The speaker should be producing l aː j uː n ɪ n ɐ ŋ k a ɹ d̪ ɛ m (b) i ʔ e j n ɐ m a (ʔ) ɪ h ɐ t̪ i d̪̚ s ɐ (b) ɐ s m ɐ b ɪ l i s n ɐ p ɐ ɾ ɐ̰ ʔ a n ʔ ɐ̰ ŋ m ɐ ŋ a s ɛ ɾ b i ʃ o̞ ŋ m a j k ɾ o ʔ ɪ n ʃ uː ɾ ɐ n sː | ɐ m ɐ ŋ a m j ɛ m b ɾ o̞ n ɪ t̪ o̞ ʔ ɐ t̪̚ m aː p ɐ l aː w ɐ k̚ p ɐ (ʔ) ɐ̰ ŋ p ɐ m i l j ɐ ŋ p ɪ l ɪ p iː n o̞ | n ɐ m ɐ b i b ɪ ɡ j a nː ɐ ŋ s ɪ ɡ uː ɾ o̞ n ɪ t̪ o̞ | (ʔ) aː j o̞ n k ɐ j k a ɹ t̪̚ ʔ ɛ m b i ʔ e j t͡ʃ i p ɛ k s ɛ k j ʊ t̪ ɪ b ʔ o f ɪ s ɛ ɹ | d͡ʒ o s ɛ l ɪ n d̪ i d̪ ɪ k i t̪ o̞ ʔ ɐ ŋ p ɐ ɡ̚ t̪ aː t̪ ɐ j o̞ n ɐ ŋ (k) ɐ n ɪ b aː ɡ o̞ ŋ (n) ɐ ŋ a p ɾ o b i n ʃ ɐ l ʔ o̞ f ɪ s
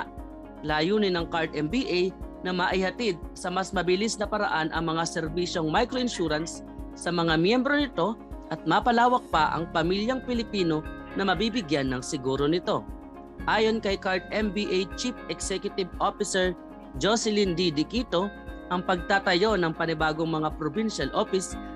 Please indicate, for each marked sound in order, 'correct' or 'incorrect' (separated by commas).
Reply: correct, correct, incorrect, correct, correct, incorrect, incorrect